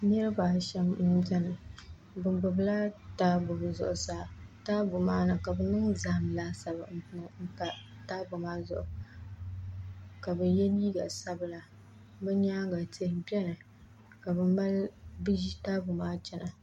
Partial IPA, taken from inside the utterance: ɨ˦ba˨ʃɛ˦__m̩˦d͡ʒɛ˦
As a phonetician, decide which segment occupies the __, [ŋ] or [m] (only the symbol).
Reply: m